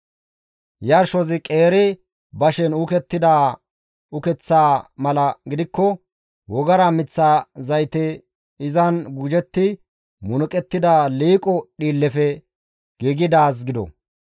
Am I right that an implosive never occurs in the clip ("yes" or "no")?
no